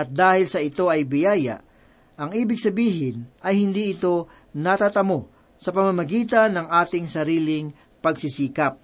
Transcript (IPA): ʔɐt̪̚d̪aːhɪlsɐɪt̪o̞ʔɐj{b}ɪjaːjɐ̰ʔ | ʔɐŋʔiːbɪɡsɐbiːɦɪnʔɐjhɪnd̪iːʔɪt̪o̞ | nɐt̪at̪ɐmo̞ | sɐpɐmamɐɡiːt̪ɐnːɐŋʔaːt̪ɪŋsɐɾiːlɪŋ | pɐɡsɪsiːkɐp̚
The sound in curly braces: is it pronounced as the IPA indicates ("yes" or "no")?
yes